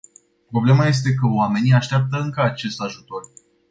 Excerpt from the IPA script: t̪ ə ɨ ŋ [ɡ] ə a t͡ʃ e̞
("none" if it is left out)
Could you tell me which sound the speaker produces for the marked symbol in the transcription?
k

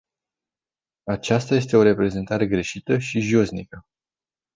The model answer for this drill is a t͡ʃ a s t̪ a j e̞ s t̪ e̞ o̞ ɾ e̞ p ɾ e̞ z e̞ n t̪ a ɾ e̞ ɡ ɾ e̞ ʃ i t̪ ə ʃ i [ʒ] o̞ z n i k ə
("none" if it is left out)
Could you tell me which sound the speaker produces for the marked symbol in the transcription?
ʒ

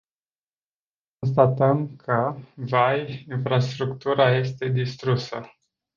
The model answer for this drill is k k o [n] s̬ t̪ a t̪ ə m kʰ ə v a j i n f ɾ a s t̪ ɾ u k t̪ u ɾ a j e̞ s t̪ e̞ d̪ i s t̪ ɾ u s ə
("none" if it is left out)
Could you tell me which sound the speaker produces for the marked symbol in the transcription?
n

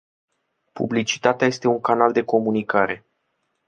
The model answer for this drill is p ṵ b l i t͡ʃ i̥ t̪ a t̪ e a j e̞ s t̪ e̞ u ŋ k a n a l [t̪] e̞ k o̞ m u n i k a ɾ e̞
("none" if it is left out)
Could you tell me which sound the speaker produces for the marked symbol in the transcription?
d̪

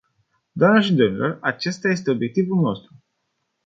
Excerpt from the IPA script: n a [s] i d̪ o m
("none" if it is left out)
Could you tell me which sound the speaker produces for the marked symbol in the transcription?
ʃ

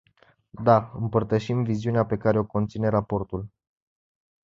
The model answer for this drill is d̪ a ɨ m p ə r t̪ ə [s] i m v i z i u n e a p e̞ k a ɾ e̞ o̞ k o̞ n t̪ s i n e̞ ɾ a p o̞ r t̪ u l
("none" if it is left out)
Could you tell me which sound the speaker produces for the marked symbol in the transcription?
ʃ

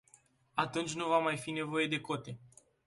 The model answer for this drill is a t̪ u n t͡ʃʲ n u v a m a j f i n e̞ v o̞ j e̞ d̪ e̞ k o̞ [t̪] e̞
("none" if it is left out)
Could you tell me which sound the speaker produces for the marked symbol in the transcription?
t̪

